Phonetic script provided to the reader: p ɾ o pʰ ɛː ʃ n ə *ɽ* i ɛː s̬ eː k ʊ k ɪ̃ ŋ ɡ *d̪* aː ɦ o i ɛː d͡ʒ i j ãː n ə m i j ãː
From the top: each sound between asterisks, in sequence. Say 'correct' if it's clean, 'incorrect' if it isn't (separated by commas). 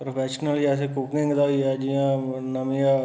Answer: incorrect, correct